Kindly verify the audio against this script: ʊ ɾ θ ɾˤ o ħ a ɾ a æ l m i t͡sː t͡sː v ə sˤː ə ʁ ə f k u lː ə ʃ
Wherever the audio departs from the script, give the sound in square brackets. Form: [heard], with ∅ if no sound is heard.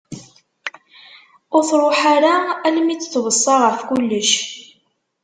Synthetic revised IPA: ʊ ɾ θ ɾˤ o ħ a ɾ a æ l m i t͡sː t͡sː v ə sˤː [ɑ] ʁ ə f k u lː ə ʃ